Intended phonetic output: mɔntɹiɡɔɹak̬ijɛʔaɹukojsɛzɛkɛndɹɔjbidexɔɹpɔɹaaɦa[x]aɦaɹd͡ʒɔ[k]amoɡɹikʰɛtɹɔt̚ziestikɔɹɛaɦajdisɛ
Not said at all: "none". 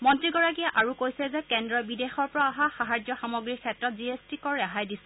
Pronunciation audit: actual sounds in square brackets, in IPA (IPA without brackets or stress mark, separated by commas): x, x